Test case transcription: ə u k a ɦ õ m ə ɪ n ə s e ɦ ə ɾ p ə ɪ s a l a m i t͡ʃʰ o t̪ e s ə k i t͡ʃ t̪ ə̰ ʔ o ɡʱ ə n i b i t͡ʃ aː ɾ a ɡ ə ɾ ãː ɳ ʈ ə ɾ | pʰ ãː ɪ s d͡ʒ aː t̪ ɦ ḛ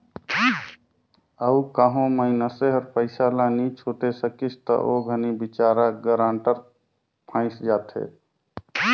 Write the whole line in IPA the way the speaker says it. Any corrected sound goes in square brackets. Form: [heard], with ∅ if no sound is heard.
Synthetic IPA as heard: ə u k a ɦ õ m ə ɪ n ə s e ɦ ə ɾ p ə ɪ s a l a [n] i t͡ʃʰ o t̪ e s ə k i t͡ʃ t̪ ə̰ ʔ o ɡʱ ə n i b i t͡ʃ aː ɾ a ɡ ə ɾ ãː ɳ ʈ ə ɾ | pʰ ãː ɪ s d͡ʒ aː t̪ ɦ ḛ